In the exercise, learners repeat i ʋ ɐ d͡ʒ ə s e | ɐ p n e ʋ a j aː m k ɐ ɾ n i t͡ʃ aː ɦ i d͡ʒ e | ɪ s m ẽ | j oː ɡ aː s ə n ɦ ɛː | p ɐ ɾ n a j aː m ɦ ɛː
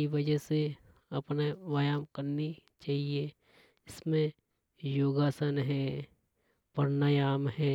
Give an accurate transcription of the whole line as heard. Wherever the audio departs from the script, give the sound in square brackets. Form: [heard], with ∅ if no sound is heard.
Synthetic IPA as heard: i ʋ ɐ d͡ʒ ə s e | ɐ p n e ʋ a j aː m k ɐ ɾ n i t͡ʃ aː ɦ i [∅] e | ɪ s m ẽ | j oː ɡ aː s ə n ɦ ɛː | p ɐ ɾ n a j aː m ɦ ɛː